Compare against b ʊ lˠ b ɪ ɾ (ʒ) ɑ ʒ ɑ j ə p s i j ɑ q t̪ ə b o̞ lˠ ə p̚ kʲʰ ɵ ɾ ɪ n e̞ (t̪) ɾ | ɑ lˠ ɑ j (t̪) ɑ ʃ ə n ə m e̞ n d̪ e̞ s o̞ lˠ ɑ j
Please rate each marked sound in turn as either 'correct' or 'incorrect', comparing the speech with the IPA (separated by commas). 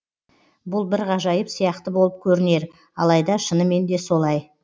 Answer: incorrect, incorrect, incorrect